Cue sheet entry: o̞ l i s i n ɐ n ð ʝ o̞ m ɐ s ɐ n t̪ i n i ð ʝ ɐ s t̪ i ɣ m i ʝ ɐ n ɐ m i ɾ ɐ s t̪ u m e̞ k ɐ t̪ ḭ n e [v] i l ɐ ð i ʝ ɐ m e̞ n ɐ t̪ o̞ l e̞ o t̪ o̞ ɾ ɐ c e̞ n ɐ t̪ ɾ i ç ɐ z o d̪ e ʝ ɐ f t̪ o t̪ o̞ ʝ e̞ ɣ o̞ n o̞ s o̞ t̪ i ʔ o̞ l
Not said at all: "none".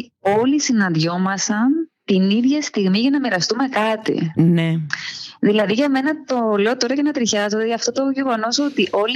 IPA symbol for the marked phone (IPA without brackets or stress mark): ð